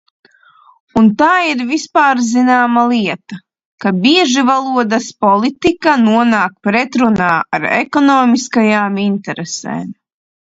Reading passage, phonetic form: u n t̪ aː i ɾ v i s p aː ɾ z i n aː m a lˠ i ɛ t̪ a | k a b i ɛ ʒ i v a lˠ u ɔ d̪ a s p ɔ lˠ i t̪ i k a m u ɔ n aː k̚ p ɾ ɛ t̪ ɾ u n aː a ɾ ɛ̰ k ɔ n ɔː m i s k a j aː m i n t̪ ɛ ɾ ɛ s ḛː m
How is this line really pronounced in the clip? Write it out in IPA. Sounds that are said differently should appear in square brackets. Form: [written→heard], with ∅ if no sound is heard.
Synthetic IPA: u n t̪ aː i ɾ v i s p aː ɾ z i n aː m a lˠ i ɛ t̪ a | k a b i ɛ ʒ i v a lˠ u ɔ d̪ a s p ɔ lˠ i t̪ i k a [m→n] u ɔ n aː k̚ p ɾ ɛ t̪ ɾ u n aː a ɾ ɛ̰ k ɔ n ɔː m i s k a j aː m i n t̪ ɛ ɾ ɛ s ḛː m

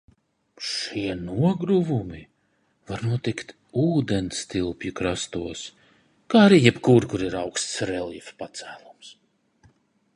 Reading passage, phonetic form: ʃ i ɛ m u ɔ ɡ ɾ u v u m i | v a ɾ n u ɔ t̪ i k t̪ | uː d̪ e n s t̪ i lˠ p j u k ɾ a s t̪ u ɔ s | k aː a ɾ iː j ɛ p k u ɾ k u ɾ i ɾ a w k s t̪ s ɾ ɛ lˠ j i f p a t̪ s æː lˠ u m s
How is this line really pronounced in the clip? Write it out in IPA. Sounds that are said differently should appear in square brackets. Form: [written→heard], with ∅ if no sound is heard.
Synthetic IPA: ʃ i ɛ [m→n] u ɔ ɡ ɾ u v u m i | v a ɾ n u ɔ t̪ i k t̪ | uː d̪ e n s t̪ i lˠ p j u k ɾ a s t̪ u ɔ s | k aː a ɾ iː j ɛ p k u ɾ k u ɾ i ɾ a w k s t̪ s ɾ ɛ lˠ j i f p a t̪ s æː lˠ u m s

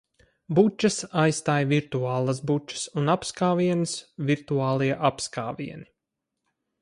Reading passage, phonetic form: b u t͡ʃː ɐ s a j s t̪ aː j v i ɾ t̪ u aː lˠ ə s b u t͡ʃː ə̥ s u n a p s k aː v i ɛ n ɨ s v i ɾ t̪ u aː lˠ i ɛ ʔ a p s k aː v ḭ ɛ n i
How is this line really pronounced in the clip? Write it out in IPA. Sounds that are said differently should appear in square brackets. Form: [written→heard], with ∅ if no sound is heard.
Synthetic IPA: b u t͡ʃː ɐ s a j s t̪ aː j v i ɾ t̪ u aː lˠ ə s b u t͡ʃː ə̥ s u n a p s k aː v i ɛ n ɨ s v i ɾ t̪ u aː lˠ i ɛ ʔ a p s k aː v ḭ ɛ n i

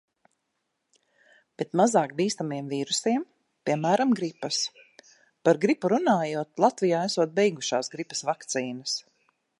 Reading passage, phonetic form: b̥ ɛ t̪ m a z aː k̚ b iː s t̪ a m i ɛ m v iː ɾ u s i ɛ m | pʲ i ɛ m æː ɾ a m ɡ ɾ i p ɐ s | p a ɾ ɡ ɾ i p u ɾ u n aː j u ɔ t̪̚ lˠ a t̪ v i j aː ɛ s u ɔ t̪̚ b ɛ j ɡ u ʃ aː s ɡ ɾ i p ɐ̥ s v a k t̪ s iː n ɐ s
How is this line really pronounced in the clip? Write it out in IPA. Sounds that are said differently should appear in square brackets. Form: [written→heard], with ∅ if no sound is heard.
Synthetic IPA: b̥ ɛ t̪ m a z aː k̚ b iː s t̪ a m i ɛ m v iː ɾ u s i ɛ m | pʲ i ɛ m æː ɾ a m ɡ ɾ i p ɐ s | p a ɾ ɡ ɾ i p u ɾ u n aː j u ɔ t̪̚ lˠ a t̪ v i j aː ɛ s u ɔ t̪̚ b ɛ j ɡ u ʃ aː s ɡ ɾ i p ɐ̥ s v a k t̪ s iː n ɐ s

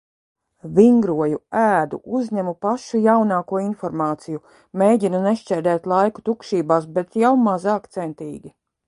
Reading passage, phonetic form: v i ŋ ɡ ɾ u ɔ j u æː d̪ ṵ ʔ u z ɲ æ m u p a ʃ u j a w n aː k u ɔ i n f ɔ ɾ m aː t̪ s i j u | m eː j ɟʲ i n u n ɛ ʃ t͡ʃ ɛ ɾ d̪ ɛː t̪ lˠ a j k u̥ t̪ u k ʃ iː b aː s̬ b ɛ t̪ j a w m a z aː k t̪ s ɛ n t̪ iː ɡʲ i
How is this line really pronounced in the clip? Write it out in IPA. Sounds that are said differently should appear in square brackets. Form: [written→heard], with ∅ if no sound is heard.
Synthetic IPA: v i ŋ ɡ ɾ u ɔ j u æː d̪ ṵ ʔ u z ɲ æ m u p a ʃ u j a w n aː k u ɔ i n f ɔ ɾ m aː t̪ s i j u | m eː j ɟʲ i n u n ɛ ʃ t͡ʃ ɛ ɾ d̪ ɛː t̪ lˠ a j k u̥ t̪ u k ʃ iː b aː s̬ b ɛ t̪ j a w m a z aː k t̪ s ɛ n t̪ iː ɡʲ i

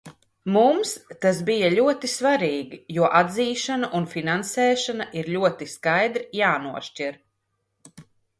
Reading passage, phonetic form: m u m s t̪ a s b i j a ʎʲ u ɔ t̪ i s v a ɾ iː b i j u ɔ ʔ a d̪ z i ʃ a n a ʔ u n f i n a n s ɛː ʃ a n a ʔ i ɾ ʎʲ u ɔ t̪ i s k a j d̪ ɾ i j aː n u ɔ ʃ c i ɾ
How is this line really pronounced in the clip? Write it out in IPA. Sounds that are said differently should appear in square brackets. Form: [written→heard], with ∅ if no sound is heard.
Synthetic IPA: m u m s t̪ a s b i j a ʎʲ u ɔ t̪ i s v a ɾ iː [b→ɡ] i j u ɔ ʔ a d̪ z [i→iː] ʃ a n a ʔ u n f i n a n s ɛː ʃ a n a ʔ i ɾ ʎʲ u ɔ t̪ i s k a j d̪ ɾ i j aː n u ɔ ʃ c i ɾ

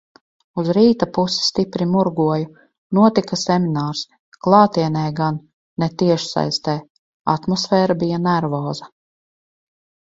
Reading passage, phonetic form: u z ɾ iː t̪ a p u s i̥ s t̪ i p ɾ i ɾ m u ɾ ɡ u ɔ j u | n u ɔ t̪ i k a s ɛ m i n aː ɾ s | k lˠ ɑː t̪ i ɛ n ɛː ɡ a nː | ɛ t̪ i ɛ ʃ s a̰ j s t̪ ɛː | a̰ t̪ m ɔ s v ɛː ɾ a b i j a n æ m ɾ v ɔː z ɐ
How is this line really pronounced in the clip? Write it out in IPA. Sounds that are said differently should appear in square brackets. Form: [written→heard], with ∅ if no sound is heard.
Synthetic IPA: u z ɾ iː t̪ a p u s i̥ s t̪ i p ɾ i [ɾ→∅] m u ɾ ɡ u ɔ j u | n u ɔ t̪ i k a s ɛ m i n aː ɾ s | k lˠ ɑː t̪ i ɛ n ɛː ɡ a nː | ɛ t̪ i ɛ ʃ s a̰ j s t̪ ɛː | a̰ t̪ m ɔ s [v→f] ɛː ɾ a b i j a n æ [m→∅] ɾ v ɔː z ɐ

